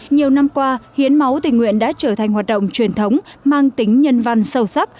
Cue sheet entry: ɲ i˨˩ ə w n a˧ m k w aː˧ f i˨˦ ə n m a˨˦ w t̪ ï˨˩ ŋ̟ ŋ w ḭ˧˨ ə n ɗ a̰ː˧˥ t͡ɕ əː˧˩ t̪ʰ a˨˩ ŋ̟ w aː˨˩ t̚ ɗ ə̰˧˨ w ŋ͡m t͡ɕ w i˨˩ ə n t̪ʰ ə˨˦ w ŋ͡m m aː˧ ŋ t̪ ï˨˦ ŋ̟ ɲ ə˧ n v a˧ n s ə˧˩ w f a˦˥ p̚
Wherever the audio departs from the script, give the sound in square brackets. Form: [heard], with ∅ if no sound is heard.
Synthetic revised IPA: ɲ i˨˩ ə w n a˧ m k w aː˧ [h] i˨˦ ə n m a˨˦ w t̪ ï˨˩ ŋ̟ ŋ w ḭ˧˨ ə n ɗ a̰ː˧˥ t͡ɕ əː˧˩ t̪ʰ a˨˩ ŋ̟ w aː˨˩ t̚ ɗ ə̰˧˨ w ŋ͡m t͡ɕ w i˨˩ ə n t̪ʰ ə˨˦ w ŋ͡m m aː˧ ŋ t̪ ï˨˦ ŋ̟ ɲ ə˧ n v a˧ n s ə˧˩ w [s] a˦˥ p̚